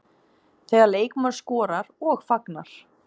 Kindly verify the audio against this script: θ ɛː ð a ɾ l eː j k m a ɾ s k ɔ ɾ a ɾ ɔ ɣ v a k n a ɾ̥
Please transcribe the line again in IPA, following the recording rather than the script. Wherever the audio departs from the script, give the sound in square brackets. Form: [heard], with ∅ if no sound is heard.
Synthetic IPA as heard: θ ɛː [ɣ] a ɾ l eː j k m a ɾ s k [ɔː] ɾ a ɾ ɔ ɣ [f] a k n a ɾ̥